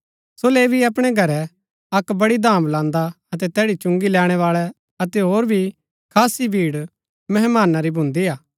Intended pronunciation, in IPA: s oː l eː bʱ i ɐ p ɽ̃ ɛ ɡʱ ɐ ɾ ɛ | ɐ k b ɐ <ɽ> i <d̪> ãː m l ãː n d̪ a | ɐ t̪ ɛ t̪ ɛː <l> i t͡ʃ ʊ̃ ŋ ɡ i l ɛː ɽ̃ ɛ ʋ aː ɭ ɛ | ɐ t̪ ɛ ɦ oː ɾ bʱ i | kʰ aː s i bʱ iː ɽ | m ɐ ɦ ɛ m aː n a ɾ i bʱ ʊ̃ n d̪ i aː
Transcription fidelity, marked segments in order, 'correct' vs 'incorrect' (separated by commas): correct, correct, incorrect